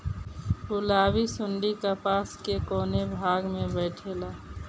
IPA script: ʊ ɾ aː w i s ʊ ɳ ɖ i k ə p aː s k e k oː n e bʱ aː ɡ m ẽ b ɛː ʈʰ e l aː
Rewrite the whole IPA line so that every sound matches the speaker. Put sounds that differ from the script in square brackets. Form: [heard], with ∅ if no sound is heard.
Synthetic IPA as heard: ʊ [l] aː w i s ʊ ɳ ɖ i k [a] p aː s k e k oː n e bʱ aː ɡ m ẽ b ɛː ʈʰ e l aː